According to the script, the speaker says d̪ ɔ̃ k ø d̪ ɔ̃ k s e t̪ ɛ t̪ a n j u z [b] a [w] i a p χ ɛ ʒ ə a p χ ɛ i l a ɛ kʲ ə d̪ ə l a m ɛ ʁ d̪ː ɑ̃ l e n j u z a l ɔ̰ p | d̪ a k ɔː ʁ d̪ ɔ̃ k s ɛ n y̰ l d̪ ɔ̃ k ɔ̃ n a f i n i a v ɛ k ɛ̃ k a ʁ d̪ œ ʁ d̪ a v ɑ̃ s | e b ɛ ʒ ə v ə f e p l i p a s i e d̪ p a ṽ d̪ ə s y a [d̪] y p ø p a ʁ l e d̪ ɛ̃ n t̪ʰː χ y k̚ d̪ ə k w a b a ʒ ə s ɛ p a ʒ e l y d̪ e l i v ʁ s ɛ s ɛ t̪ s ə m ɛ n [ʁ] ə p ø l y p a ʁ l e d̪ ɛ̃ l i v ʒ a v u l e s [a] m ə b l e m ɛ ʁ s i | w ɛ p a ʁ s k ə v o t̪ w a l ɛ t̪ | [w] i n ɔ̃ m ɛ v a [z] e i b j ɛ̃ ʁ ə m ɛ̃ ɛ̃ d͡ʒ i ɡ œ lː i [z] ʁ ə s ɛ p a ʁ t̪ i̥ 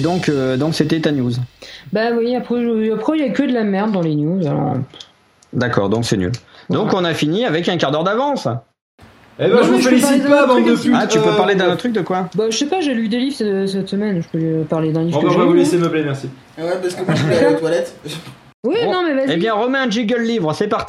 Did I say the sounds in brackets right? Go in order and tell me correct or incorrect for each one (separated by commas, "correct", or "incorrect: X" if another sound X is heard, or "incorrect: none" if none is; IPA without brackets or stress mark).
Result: correct, correct, incorrect: t̪, incorrect: ʒ, incorrect: e, correct, correct, incorrect: v